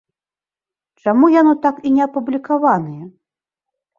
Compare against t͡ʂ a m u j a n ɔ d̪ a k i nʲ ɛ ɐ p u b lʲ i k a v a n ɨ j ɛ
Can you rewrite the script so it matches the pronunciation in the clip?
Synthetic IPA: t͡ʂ a m u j a n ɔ t̪ a k i nʲ ɛ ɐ p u b lʲ i k a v a n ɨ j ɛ